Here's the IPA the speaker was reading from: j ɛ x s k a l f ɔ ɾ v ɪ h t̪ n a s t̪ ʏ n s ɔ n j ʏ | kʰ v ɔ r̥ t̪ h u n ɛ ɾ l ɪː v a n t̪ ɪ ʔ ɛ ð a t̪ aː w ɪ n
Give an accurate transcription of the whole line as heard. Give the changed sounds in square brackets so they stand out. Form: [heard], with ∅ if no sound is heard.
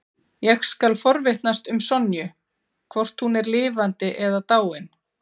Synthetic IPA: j ɛ x s k a l f ɔ ɾ v ɪ h t̪ n a s t̪ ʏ [m] s ɔ n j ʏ | kʰ v ɔ r̥ t̪ h u n ɛ ɾ l ɪː v a n t̪ ɪ ʔ ɛ ð a t̪ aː w ɪ n